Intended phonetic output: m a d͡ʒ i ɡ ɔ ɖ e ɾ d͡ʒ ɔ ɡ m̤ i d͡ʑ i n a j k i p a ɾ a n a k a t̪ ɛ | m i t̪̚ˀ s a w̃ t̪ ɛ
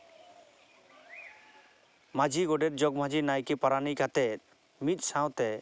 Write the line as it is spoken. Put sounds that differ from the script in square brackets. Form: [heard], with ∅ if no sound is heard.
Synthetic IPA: m a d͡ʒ i ɡ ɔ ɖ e ɾ d͡ʒ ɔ ɡ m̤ [a] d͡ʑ i n a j k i p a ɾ a n [i] k a t̪ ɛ | m i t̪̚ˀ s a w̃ t̪ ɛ